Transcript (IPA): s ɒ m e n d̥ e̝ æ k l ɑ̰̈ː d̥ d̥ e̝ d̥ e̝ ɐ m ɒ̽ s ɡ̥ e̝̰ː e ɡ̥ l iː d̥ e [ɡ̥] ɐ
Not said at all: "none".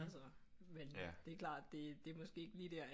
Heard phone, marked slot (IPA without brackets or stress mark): none